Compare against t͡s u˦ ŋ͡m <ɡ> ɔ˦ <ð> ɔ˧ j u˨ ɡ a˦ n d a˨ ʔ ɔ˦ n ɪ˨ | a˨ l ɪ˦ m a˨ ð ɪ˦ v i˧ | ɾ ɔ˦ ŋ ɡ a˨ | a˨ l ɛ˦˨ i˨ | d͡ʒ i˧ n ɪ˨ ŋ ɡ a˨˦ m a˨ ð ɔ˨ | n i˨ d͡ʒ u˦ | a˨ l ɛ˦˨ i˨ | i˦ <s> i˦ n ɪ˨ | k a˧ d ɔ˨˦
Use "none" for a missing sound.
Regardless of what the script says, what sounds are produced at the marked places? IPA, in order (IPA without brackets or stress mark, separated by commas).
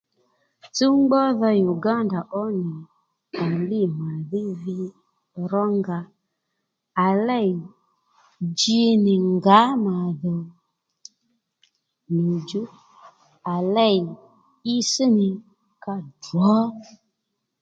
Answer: ɡ͡b, ð, s